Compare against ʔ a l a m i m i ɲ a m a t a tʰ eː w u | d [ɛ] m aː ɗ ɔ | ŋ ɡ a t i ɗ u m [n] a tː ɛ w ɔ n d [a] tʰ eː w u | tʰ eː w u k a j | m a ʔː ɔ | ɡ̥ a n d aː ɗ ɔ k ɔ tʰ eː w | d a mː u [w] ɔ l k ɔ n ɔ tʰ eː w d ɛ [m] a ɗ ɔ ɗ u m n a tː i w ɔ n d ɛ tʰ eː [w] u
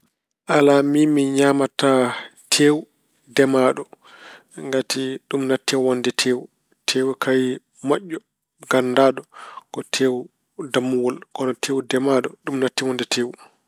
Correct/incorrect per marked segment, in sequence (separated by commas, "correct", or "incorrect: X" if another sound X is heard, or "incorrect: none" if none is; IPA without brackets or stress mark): correct, correct, incorrect: ɛ, correct, correct, correct